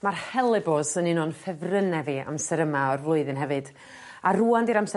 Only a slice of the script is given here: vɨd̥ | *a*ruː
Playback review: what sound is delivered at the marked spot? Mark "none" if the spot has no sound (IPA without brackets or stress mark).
a